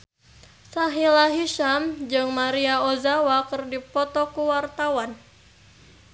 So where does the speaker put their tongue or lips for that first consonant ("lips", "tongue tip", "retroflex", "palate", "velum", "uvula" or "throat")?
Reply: tongue tip